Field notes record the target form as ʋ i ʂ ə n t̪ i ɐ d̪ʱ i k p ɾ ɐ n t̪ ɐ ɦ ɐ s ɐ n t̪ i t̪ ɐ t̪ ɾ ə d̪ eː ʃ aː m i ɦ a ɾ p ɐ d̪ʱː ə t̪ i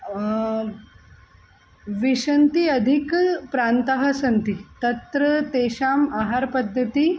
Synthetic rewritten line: ʋ i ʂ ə n t̪ i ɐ d̪ʱ i k p ɾ a n t̪ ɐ ɦ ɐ s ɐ n t̪ i t̪ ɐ t̪ ɾ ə t̪ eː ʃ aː m a ɦ a ɾ p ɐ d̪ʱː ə t̪ i